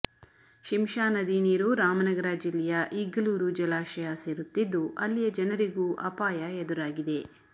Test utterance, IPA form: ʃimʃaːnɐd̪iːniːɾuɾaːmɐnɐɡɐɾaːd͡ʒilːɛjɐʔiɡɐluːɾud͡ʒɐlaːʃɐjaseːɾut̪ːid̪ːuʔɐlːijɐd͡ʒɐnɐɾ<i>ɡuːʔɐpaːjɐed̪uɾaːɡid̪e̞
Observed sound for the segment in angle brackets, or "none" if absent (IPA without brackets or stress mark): i